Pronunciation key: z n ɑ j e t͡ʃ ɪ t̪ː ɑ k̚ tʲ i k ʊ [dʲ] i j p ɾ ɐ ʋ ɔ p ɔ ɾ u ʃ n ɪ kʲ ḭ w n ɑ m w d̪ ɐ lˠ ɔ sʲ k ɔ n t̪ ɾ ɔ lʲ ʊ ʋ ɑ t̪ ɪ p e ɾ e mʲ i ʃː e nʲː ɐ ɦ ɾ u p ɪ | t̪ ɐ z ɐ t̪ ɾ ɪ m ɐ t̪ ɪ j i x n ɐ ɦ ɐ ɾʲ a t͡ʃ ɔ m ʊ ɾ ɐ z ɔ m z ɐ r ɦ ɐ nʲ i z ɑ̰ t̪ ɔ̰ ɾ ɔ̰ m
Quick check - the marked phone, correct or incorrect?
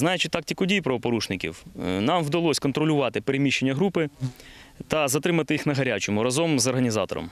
correct